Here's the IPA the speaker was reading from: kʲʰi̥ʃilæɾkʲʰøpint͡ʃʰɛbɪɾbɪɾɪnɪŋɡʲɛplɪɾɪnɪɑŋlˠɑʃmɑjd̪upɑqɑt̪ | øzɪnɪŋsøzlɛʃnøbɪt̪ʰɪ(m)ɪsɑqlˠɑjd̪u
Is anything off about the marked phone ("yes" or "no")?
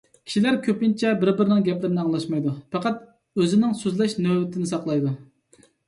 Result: yes